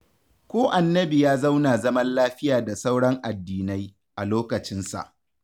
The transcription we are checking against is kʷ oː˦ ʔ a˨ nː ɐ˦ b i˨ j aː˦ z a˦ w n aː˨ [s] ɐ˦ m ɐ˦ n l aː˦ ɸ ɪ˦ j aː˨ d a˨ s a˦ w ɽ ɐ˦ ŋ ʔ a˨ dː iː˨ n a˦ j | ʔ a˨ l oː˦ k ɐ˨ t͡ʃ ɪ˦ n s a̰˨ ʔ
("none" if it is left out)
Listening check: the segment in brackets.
z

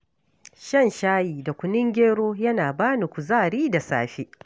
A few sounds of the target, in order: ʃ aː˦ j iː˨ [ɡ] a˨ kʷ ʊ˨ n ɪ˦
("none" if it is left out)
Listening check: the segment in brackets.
d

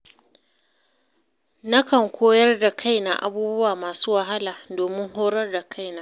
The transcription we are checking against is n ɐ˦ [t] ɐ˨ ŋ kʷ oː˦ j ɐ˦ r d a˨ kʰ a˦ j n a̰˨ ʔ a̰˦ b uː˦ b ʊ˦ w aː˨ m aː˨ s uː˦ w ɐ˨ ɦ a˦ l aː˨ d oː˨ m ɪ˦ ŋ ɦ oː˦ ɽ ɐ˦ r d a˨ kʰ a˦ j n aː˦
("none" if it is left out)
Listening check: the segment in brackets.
k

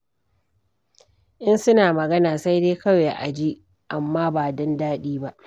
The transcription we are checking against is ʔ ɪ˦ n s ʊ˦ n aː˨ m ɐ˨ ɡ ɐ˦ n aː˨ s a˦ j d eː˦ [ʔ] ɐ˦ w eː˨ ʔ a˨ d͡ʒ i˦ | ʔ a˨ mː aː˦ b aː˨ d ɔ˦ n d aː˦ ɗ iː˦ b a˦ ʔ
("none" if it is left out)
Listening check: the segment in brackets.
k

